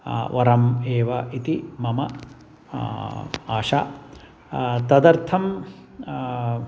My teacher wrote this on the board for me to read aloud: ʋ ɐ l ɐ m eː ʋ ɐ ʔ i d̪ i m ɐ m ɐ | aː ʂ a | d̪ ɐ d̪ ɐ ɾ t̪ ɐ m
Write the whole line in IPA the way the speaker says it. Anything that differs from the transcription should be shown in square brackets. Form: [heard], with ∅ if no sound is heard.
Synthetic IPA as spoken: ʋ ɐ [ɾ] ɐ m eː ʋ ɐ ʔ i [t̪] i m ɐ m ɐ | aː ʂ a | [t̪] ɐ d̪ ɐ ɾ [t̪ʰ] ɐ m

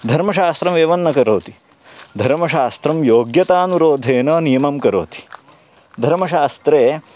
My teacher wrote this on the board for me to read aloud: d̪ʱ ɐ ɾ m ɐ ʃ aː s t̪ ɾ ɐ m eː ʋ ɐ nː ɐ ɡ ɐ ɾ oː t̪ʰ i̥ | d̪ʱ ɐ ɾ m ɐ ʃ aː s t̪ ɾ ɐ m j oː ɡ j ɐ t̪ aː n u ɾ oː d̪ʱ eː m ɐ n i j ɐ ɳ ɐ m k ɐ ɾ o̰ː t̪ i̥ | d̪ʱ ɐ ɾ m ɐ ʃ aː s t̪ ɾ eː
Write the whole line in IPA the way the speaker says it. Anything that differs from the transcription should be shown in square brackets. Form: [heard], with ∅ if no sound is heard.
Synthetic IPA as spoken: d̪ʱ ɐ ɾ m ɐ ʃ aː s t̪ ɾ ɐ m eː ʋ ɐ nː ɐ [k] ɐ ɾ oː [t̪] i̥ | d̪ʱ ɐ ɾ m ɐ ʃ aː s t̪ ɾ ɐ m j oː ɡ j ɐ t̪ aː n u ɾ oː d̪ʱ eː [n] ɐ n i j ɐ [m] ɐ m k ɐ ɾ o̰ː t̪ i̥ | d̪ʱ ɐ ɾ m ɐ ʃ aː s t̪ ɾ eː

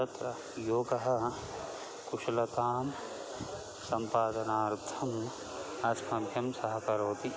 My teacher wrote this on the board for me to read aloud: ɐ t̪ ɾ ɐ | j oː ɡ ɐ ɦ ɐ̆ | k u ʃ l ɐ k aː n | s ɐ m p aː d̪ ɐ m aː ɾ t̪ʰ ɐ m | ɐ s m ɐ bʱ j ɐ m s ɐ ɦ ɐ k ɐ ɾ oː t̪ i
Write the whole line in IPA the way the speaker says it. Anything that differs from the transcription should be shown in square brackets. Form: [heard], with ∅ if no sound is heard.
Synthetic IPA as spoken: ɐ t̪ ɾ ɐ | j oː ɡ ɐ ɦ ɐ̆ | k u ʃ l ɐ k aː [m] | s ɐ m p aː d̪ ɐ [n] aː ɾ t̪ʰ ɐ m | ɐ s m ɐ bʱ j ɐ m s ɐ ɦ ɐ k ɐ ɾ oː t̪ i

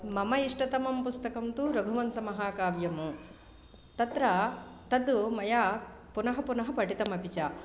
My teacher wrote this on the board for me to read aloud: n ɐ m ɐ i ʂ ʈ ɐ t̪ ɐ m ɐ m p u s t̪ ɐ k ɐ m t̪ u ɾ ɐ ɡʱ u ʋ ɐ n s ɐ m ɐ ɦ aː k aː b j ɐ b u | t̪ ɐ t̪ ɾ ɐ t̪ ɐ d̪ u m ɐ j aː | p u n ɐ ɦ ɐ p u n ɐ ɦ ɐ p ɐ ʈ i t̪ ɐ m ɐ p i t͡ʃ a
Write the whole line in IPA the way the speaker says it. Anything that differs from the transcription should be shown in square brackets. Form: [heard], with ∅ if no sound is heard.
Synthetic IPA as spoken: [m] ɐ m ɐ i ʂ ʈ ɐ t̪ ɐ m ɐ m p u s t̪ ɐ k ɐ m t̪ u ɾ ɐ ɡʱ u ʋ ɐ n s ɐ m ɐ ɦ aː k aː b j ɐ [m] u | t̪ ɐ t̪ ɾ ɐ t̪ ɐ d̪ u m ɐ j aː | p u n ɐ ɦ ɐ p u n ɐ ɦ ɐ p ɐ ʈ i t̪ ɐ m ɐ p i t͡ʃ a

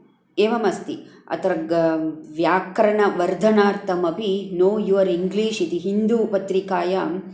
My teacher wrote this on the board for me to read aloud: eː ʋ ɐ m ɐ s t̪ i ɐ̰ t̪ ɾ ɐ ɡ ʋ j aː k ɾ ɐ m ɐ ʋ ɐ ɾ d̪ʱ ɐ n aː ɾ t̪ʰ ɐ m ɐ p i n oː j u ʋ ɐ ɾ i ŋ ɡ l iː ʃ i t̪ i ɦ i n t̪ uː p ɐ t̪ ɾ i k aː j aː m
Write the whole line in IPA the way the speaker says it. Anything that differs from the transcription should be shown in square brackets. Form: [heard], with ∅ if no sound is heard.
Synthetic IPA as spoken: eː ʋ ɐ m ɐ s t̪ i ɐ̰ t̪ ɾ ɐ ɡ ʋ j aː k ɾ ɐ [ɳ] ɐ ʋ ɐ ɾ d̪ʱ ɐ n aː ɾ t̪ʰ ɐ m ɐ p i n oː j u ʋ ɐ ɾ i ŋ ɡ l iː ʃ i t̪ i ɦ i n [d̪] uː p ɐ t̪ ɾ i k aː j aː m

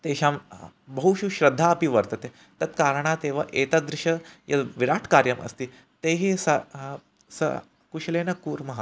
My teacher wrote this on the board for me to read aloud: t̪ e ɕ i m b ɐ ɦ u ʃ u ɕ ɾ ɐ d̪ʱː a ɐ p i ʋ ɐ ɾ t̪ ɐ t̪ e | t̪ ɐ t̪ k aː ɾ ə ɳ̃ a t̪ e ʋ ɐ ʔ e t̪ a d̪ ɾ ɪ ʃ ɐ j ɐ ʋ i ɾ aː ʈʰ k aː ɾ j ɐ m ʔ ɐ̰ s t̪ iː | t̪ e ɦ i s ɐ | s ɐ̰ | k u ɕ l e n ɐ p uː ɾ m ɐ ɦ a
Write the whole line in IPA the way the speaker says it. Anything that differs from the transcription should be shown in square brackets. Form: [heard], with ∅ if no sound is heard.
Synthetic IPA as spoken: t̪ e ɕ [a] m b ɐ ɦ u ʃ u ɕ ɾ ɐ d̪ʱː a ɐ p i ʋ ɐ ɾ t̪ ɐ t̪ e | t̪ ɐ t̪ k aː ɾ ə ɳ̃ a t̪ e ʋ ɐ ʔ e t̪ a d̪ ɾ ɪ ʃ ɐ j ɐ ʋ i ɾ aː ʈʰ k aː ɾ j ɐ m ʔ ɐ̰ s t̪ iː | t̪ e ɦ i s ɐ | s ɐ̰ | k u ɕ l e n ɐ [k] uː ɾ m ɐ ɦ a

